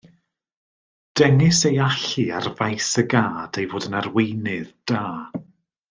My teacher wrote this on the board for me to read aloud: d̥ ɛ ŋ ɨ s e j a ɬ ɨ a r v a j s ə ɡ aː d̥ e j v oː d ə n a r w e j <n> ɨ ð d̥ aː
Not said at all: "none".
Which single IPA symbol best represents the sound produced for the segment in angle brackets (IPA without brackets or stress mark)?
n